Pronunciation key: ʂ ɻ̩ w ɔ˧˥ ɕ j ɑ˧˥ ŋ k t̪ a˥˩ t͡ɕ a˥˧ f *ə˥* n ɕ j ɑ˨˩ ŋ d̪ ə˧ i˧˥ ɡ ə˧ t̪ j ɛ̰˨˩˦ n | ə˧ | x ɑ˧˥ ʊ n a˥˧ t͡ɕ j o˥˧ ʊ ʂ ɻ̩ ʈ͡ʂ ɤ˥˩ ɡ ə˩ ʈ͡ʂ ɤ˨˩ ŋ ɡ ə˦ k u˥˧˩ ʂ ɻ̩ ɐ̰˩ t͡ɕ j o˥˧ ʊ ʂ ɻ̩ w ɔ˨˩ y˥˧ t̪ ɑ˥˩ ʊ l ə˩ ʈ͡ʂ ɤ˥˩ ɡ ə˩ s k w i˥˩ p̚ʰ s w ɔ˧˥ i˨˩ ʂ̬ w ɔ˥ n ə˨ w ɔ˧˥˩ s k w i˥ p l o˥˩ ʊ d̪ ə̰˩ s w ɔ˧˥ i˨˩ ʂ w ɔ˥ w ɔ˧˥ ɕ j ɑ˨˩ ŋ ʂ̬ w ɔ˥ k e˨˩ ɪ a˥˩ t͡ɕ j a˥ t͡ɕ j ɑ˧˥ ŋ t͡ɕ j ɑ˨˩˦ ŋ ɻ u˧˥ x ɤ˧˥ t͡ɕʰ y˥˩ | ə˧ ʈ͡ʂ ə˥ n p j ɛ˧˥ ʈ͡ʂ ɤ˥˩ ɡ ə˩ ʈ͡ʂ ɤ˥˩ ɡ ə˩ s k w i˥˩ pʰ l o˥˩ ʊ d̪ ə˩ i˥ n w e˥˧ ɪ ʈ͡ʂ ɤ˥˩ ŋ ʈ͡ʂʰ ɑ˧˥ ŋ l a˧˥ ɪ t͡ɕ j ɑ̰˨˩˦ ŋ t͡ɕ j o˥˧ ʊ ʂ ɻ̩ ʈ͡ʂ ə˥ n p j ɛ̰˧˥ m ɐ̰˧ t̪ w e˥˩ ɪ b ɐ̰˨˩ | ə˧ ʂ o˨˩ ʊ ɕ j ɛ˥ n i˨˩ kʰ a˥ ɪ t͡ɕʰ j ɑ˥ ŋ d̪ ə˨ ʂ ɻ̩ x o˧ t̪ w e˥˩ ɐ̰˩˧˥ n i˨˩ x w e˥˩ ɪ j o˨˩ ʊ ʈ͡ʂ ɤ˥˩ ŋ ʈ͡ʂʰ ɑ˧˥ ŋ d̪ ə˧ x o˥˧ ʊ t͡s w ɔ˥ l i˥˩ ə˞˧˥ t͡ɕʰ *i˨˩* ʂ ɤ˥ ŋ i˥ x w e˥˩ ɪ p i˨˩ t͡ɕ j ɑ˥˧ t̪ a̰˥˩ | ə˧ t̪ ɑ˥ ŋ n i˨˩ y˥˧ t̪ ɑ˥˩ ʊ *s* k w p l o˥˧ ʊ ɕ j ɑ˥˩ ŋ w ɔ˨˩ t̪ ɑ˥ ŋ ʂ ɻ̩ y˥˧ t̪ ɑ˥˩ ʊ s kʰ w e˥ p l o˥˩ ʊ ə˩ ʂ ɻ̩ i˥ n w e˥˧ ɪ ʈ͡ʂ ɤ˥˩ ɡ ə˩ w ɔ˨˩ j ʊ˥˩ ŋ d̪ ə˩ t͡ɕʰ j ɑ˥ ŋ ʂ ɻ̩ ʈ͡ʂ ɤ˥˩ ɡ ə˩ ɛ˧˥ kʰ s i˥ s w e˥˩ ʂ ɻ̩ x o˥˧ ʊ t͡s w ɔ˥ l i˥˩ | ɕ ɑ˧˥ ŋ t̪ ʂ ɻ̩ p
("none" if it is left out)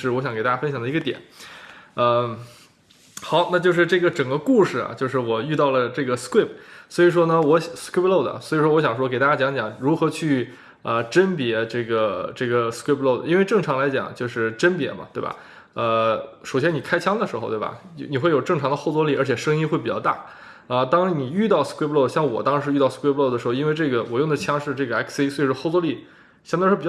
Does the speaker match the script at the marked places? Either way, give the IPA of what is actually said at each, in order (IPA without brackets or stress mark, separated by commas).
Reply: ə˥, ɛ˨˩, s